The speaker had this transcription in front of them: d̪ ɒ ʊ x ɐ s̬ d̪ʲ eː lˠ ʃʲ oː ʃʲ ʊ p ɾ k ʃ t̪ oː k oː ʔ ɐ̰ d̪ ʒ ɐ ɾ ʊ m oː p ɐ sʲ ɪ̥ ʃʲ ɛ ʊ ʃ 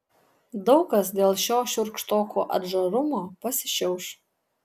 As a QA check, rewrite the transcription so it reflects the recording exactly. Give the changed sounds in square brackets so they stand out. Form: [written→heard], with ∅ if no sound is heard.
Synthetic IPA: d̪ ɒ ʊ [x→k] ɐ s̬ d̪ʲ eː lˠ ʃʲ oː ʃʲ ʊ [p→∅] ɾ k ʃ t̪ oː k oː ʔ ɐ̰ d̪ ʒ ɐ ɾ ʊ m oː p ɐ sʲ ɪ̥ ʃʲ ɛ ʊ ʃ